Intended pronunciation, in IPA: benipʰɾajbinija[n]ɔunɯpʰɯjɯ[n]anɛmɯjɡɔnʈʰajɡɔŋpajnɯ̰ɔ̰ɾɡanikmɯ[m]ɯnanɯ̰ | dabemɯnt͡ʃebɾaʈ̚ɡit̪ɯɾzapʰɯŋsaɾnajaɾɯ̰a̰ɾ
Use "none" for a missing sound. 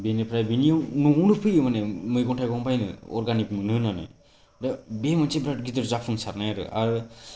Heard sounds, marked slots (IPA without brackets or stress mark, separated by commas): n, m, n